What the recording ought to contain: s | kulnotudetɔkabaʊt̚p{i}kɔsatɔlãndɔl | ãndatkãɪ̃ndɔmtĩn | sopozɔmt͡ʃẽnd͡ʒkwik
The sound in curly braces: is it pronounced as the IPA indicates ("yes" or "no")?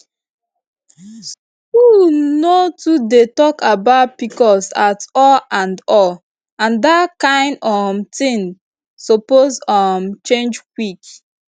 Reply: yes